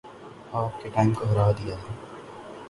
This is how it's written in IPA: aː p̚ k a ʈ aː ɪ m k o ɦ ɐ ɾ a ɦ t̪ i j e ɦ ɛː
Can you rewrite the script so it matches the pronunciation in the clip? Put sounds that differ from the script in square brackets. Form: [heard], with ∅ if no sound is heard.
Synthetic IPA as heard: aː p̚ k [e] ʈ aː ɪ m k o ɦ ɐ ɾ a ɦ [d̪] i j [a] ɦ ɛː

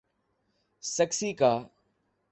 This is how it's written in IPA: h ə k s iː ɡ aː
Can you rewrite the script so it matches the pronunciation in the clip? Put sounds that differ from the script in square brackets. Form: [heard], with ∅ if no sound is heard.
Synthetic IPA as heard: [s] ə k s iː [k] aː

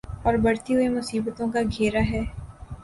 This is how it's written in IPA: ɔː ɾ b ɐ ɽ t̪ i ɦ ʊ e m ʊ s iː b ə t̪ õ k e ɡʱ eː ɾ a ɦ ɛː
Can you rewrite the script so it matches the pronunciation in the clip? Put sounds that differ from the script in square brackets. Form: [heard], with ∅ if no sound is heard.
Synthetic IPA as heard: ɔː ɾ b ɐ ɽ t̪ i ɦ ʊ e m ʊ s iː b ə t̪ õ k [a] ɡʱ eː ɾ a ɦ ɛː

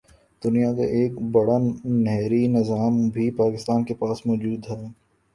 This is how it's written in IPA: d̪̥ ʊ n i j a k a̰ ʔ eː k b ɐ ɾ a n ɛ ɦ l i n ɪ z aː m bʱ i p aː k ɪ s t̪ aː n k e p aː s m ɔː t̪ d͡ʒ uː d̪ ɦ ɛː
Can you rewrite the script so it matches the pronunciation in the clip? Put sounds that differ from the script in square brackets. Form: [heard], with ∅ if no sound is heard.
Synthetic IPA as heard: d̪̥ ʊ n i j a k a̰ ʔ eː k b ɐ [ɽ] a n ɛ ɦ [ɾ] i n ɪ z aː m bʱ i p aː k ɪ s t̪ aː n k e p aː s m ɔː [∅] d͡ʒ uː d̪ ɦ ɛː

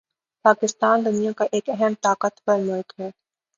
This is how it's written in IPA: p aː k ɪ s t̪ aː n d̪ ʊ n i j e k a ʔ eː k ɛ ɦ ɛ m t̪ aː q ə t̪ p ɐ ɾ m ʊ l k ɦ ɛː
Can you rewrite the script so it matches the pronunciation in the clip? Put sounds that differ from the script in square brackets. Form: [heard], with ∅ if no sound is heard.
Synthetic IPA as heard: p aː k ɪ s t̪ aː n d̪ ʊ n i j [a] k a ʔ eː k ɛ ɦ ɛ m t̪ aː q ə t̪ p ɐ ɾ m ʊ l k ɦ ɛː

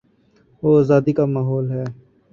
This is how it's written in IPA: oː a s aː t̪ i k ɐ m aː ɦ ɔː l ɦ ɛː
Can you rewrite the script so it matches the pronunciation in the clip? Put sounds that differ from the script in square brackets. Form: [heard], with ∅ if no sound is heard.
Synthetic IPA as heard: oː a [z] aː [d̪] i k [a] m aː ɦ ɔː l ɦ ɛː

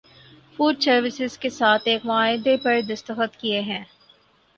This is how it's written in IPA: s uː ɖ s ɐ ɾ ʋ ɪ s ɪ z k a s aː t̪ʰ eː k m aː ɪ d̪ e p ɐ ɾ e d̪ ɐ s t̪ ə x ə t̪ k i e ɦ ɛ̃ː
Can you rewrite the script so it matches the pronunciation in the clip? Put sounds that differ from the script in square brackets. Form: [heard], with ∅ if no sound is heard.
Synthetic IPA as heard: [f] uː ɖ s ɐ ɾ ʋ ɪ s ɪ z k [e] s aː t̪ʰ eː k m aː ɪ d̪ e p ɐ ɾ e d̪ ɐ s t̪ ə x ə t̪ k i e ɦ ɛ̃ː

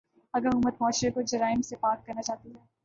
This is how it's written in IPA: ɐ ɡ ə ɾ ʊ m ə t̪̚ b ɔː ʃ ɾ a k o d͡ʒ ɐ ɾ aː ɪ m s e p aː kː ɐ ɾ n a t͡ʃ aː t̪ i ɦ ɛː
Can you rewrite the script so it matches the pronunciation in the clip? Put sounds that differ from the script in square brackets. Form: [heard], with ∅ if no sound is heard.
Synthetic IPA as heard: ɐ ɡ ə ɾ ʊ m ə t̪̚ [m] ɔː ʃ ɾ [e] k o d͡ʒ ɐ ɾ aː ɪ m s e p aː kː ɐ ɾ n a t͡ʃ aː t̪ i ɦ ɛː

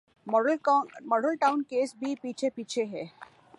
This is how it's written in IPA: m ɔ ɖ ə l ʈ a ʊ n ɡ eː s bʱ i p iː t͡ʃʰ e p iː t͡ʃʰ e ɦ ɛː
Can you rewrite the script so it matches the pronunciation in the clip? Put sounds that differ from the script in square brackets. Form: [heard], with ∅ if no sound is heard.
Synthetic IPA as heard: m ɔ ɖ ə l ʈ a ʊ n [k] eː s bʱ i p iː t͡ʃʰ e p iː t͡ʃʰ e ɦ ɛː

